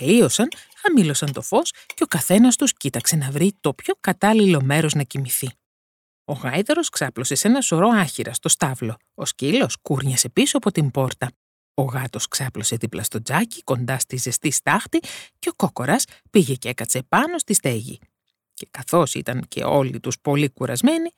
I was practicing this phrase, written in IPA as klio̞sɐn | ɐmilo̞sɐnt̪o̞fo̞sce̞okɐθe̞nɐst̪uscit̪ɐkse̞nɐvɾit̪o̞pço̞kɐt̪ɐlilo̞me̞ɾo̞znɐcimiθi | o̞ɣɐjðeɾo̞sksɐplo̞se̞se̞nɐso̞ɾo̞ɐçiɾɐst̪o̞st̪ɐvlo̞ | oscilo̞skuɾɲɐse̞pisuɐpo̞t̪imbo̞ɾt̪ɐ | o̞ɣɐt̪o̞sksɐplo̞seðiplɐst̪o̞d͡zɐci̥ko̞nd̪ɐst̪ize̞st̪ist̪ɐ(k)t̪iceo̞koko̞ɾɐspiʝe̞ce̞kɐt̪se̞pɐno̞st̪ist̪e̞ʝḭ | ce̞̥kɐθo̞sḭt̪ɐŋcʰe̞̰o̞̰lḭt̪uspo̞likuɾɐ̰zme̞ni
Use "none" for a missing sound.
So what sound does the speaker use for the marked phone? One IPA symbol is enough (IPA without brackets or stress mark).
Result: x